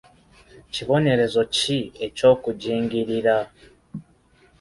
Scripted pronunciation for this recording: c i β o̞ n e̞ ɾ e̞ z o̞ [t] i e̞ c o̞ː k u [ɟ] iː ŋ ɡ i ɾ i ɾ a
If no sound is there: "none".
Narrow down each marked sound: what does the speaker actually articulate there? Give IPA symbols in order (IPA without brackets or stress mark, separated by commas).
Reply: c, ɟ